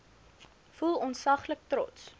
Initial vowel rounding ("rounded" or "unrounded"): rounded